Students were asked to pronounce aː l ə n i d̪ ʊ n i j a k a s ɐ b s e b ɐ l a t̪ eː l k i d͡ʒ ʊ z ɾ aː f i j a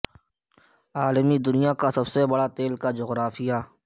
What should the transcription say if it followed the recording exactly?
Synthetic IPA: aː l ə m i d̪ ʊ n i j a k a s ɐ b s e b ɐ ɽ a t̪ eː l k a d͡ʒ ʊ ɣ ɾ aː f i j a